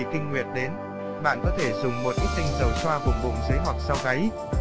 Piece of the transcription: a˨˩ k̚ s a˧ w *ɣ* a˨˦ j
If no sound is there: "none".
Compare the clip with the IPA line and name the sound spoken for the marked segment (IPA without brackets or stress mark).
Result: ɣ